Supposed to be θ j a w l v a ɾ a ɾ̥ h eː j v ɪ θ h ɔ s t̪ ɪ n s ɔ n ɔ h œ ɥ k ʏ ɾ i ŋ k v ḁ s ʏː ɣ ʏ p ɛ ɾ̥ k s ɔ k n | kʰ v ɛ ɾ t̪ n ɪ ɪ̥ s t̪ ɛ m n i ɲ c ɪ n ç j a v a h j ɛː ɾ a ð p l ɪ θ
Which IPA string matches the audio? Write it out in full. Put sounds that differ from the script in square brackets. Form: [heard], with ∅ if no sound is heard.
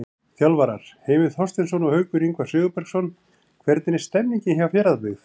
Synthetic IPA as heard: θ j a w l v a ɾ a ɾ̥ h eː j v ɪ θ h ɔ s t̪ ɪ n s ɔ n ɔ h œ ɥ k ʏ ɾ i ŋ k v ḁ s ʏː ɣ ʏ p ɛ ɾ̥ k s ɔ [∅] n | kʰ v ɛ ɾ t̪ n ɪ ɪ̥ s t̪ ɛ m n i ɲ c ɪ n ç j a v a [f] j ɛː ɾ a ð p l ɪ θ